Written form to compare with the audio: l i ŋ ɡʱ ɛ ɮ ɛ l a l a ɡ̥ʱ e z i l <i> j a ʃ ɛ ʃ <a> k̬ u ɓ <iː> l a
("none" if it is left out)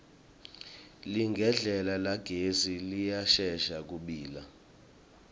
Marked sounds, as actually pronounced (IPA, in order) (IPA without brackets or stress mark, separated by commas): i, a, iː